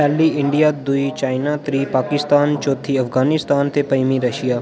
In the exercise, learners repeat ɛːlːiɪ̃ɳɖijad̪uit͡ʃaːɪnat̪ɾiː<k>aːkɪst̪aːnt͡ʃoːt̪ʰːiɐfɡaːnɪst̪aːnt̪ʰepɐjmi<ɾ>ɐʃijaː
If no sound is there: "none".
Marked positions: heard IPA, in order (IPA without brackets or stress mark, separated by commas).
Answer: p, ɾ